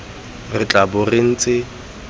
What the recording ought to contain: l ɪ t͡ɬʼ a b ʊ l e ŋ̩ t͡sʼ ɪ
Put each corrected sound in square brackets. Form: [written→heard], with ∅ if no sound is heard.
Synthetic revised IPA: [l→r] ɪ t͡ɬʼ a b ʊ [l→r] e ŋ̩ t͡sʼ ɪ